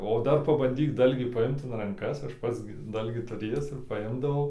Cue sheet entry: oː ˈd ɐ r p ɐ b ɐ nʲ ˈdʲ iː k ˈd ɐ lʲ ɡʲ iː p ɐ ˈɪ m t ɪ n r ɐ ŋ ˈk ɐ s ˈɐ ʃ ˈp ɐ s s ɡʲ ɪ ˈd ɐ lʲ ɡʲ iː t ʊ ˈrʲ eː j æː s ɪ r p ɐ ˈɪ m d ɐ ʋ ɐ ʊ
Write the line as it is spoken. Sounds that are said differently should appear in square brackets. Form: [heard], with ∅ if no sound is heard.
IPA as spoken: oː ˈd ɐ r p ɐ b ɐ nʲ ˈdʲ iː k ˈd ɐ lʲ ɡʲ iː p ɐ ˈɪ m t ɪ n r ɐ ŋ ˈk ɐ s ˈɐ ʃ ˈp ɐ [t] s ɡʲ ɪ ˈd ɐ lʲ ɡʲ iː t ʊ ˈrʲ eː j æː s ɪ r p ɐ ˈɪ m d ɐ ʋ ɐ ʊ